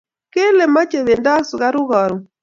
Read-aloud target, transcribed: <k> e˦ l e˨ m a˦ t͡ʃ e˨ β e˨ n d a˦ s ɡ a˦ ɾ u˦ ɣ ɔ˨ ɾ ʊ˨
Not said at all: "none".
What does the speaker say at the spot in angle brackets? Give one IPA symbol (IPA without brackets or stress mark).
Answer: k